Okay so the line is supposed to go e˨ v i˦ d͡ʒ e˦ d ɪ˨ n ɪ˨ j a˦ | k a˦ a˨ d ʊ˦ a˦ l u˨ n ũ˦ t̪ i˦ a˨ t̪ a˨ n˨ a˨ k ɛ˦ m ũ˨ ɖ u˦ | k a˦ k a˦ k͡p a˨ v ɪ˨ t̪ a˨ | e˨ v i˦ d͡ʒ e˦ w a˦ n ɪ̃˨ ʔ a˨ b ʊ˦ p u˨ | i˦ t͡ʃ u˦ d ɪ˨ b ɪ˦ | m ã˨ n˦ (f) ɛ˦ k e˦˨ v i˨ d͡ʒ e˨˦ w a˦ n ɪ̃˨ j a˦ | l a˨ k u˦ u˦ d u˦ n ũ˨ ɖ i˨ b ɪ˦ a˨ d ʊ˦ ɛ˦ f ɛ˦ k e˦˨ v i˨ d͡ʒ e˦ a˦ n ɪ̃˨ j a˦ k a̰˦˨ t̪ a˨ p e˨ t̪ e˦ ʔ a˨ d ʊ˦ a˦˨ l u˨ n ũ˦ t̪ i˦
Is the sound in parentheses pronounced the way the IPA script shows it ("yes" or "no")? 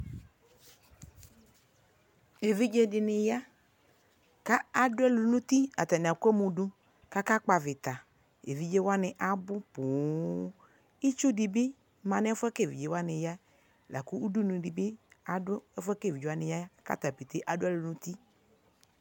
yes